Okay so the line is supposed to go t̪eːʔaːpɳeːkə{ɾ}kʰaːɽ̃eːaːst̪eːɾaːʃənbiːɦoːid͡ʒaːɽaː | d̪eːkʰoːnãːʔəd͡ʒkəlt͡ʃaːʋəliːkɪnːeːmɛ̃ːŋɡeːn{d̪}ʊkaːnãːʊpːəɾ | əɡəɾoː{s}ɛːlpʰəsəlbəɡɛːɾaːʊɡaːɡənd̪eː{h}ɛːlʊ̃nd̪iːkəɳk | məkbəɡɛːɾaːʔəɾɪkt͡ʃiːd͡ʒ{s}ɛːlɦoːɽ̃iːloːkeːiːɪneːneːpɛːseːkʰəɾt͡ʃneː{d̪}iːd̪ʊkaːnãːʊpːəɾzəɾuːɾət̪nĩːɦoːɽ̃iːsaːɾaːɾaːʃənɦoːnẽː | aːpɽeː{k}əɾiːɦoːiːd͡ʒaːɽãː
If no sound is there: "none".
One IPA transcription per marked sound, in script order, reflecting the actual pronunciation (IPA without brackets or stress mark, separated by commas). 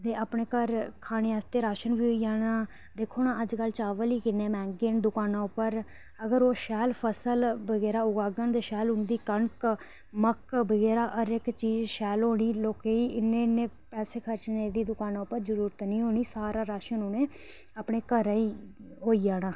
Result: ɾ, d̪, ʃ, ʃ, ʃ, d̪, k